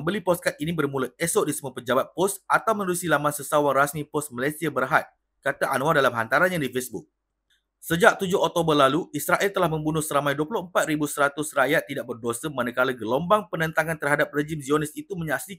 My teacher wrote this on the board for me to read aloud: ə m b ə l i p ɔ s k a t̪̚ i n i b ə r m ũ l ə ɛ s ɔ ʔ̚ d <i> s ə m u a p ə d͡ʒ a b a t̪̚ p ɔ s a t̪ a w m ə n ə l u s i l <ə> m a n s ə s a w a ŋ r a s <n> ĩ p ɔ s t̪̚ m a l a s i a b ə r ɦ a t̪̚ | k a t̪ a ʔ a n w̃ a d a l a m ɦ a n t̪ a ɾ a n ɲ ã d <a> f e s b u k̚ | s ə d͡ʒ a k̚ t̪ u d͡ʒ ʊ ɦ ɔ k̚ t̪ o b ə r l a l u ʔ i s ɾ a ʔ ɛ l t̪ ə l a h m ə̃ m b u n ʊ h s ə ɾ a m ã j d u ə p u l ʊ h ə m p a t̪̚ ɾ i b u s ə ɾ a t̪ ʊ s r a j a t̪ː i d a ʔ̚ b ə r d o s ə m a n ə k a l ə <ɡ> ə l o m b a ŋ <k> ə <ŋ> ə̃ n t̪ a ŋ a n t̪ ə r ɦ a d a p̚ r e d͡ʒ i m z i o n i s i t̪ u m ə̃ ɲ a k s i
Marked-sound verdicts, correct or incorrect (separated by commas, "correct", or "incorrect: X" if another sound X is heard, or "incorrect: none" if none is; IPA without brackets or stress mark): correct, incorrect: a, incorrect: m, incorrect: i, correct, incorrect: p, incorrect: n